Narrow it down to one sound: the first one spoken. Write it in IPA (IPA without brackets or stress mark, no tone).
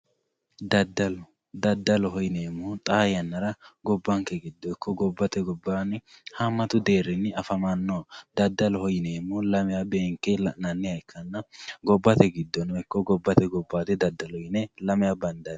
d̪